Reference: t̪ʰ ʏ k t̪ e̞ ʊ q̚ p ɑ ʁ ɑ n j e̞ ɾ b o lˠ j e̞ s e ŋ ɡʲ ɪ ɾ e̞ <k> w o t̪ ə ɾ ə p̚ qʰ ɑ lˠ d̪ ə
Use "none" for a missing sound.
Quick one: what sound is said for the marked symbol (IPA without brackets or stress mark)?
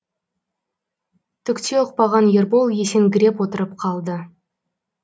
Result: p